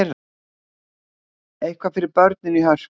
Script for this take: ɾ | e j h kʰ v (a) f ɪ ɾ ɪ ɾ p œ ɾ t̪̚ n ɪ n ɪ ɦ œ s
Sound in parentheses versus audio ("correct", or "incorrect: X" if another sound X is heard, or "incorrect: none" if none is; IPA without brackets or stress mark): correct